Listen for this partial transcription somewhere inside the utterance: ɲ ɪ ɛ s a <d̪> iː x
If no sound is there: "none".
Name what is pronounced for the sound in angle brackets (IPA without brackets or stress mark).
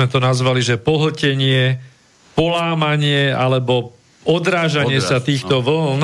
t̪